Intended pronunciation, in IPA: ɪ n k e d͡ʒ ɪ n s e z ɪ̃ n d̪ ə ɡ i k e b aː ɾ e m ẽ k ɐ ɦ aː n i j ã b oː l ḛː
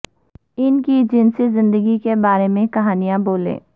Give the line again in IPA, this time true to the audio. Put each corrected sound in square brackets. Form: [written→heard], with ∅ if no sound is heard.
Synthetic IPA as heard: ɪ n k [e→i] d͡ʒ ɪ n s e z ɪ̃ n d̪ ə ɡ i k e b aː ɾ e m ẽ k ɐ ɦ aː n i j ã b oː l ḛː